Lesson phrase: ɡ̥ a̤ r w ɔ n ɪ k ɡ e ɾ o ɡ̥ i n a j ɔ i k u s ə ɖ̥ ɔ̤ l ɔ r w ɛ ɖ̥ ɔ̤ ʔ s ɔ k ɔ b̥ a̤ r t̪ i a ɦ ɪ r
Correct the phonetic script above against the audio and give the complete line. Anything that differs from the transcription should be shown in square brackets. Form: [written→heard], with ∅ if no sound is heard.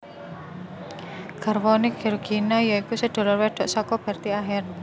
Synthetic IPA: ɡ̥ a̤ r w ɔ n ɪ k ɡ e ɾ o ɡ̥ i n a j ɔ i k u s ə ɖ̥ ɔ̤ l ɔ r w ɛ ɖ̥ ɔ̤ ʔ s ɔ k ɔ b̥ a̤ r t̪ i a ɦ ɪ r